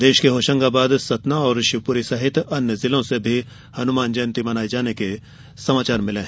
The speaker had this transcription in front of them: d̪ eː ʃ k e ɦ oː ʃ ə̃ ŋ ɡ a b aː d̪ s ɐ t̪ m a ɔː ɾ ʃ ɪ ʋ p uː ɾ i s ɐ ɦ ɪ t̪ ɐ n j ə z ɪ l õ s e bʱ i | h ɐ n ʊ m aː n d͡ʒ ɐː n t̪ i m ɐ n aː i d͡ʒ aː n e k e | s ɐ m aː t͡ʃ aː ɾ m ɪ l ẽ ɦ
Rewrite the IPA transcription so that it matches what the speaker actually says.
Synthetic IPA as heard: d̪ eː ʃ k e ɦ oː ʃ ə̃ ŋ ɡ a b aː d̪ s ɐ t̪ n a ɔː ɾ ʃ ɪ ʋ p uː ɾ i s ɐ ɦ ɪ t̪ ɐ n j ə z ɪ l õ s e bʱ i | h ɐ n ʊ m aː n d͡ʒ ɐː n t̪ i m ɐ n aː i d͡ʒ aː n e k e | s ɐ m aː t͡ʃ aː ɾ m ɪ l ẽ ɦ